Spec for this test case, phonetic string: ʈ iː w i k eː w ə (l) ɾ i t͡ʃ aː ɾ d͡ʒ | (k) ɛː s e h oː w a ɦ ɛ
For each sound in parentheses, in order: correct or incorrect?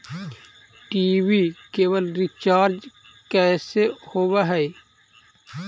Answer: correct, correct

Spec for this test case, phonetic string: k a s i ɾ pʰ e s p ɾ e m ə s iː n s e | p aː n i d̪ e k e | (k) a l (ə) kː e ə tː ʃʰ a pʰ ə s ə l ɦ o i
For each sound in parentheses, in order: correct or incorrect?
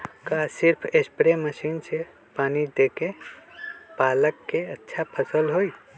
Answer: incorrect, correct

